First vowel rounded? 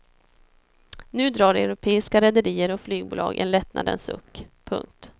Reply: yes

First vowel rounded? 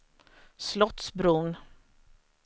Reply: yes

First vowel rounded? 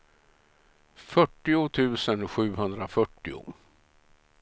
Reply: yes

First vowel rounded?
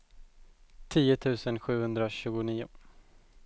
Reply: no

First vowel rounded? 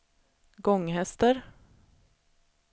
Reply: yes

